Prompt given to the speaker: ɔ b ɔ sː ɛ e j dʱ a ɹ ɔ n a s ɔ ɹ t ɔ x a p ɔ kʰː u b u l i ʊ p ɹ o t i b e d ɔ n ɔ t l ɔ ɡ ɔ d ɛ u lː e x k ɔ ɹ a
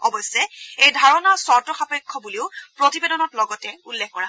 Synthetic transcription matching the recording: ɔ b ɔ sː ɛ e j dʱ a ɹ ɔ n a s ɔ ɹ t ɔ x a p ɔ kʰː ɔ b u l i ʊ p ɹ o t i b e d ɔ n ɔ t l ɔ ɡ ɔ t ɛ u lː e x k ɔ ɹ a